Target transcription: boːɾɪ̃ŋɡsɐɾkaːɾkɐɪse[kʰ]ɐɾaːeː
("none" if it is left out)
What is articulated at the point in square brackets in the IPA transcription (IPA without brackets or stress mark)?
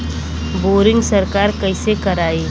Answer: k